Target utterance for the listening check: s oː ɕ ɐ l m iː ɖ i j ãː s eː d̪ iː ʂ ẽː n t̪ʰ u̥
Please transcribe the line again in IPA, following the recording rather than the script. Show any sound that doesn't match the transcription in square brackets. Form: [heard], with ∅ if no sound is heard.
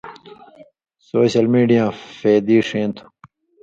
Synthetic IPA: s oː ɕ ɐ l m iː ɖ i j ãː [f] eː d̪ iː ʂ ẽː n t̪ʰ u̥